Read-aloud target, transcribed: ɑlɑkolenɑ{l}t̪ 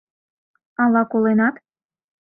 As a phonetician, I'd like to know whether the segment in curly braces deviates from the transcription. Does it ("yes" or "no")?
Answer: yes